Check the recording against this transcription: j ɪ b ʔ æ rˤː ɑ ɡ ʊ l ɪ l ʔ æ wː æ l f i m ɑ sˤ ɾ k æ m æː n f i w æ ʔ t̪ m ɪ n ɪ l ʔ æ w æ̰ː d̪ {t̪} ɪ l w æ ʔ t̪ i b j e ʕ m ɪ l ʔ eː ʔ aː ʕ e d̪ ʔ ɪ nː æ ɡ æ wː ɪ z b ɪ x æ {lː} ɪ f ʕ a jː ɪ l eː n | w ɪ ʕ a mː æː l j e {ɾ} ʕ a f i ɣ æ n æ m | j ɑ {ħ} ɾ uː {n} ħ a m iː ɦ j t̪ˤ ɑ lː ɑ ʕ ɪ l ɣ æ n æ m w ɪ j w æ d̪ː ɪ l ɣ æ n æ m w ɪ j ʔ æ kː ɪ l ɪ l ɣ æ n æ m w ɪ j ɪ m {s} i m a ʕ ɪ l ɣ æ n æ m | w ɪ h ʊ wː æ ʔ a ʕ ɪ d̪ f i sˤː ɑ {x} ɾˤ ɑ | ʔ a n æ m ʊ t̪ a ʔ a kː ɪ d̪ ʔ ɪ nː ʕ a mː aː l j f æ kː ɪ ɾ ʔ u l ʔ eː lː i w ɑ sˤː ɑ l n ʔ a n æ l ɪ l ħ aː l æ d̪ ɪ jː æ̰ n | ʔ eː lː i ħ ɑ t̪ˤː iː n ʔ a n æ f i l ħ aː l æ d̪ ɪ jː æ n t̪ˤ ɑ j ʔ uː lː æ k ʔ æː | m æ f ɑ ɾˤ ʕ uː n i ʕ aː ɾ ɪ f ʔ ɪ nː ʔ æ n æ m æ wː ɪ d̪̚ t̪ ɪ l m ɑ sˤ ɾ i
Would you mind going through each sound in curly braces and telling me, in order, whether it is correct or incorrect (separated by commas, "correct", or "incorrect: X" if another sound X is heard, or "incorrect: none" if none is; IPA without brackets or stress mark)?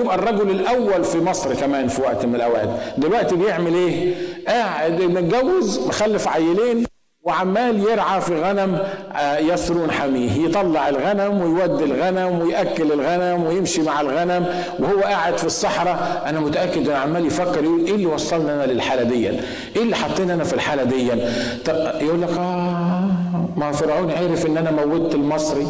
incorrect: d̪, correct, correct, incorrect: s, correct, incorrect: ʃ, incorrect: ħ